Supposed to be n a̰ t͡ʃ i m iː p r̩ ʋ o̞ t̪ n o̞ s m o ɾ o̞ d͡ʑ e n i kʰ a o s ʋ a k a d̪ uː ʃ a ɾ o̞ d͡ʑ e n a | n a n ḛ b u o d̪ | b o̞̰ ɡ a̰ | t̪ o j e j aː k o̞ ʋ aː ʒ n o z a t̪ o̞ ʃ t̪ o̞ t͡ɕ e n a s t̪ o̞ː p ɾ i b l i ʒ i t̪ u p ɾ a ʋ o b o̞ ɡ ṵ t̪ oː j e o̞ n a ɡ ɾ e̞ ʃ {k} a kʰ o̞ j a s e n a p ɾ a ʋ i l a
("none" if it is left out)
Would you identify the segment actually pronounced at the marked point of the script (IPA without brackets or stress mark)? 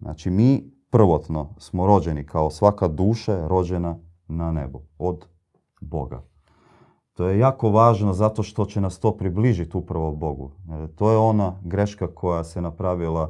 k